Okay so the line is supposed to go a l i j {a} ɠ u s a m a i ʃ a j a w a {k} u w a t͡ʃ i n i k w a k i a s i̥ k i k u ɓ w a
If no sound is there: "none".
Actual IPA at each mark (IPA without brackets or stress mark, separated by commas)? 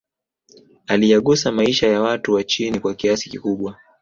a, t